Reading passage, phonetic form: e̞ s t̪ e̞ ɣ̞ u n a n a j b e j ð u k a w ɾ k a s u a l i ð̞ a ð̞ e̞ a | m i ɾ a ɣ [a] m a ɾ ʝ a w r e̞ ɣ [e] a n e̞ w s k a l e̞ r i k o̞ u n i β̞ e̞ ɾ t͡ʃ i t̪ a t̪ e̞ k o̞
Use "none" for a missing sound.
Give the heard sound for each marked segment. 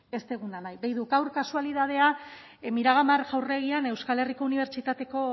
a, i

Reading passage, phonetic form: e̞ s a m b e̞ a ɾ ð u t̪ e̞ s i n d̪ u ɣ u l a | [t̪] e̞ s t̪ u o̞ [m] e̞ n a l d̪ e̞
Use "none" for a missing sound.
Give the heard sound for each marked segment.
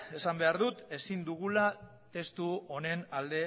t̪, n

